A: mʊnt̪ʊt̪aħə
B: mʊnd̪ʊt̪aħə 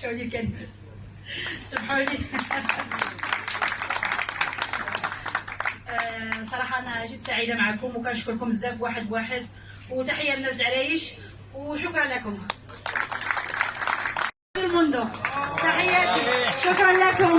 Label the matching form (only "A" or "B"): B